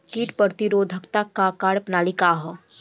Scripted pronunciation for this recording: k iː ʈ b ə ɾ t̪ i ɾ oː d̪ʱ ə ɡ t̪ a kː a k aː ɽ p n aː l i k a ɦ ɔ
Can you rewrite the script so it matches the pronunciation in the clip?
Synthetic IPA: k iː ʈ p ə ɾ t̪ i ɾ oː d̪ʱ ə k t̪ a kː a k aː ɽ p n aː l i k a ɦ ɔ